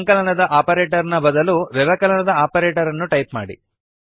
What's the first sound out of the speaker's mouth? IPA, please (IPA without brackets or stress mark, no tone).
ŋ